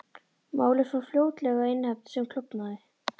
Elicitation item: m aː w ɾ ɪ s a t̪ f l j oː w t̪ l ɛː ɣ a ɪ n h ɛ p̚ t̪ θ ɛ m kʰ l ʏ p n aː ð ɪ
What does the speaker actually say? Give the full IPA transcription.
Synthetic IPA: m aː w l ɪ s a f l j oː w t̪ l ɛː ɣ a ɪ n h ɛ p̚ t̪ s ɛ m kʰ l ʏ p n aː ð ɪ

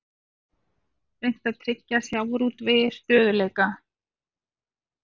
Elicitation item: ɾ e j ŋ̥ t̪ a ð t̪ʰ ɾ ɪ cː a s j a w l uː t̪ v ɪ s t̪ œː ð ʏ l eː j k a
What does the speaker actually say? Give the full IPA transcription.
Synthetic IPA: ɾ e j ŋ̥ t̪ a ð t̪ʰ ɾ ɪ cː a s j a w ɾ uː t̪ v ɪ s t̪ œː ð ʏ l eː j k a

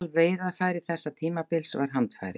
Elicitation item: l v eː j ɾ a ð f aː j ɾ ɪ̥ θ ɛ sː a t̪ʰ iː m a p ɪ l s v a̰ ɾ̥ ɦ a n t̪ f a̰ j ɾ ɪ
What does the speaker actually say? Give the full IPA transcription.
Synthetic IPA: l v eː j ɾ a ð f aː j ɾ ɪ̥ θ ɛ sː a t̪ʰ iː m a p ɪ l s v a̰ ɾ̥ ɦ a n t̪ f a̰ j ɾ ɪ

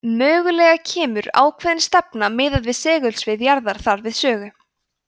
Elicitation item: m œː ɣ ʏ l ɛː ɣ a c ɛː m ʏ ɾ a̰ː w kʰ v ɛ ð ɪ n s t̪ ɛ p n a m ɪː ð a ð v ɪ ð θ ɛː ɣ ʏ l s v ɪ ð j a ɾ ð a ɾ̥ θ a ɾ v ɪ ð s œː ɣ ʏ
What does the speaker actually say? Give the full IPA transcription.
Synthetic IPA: m œː ɣ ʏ l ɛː ɣ a cʰ ɛː m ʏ ɾ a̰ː w kʰ v ɛ ð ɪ n s t̪ ɛ p n a m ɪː ð a ð v ɪ ð s ɛː ɣ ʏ l s v ɪ ð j a ɾ ð a ɾ̥ θ a ɾ v ɪ ð s œː ɣ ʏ

